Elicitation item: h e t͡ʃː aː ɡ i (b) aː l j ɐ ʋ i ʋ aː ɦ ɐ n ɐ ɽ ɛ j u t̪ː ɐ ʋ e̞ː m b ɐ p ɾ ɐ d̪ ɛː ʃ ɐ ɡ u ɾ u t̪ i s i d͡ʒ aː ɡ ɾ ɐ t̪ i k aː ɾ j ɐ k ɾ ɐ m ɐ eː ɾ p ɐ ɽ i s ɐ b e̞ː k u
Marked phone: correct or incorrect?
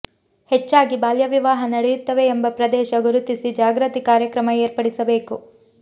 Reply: correct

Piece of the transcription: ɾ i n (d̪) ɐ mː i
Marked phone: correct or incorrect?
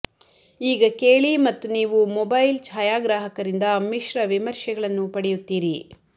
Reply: correct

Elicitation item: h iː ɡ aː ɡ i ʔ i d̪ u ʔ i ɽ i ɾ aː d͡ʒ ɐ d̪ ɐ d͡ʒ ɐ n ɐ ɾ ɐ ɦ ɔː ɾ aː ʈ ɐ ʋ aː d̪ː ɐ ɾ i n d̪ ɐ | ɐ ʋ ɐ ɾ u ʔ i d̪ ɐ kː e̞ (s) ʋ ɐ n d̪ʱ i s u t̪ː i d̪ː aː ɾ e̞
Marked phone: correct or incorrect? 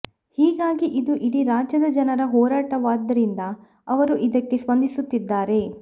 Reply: correct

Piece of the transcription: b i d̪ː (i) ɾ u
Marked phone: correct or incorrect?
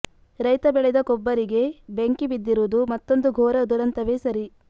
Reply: correct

